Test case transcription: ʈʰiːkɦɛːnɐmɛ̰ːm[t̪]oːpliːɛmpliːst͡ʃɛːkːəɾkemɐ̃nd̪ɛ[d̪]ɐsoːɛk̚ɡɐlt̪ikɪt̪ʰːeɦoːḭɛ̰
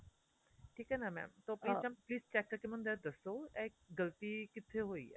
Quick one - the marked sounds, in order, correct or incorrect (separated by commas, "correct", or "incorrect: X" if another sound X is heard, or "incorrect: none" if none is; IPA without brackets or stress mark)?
correct, correct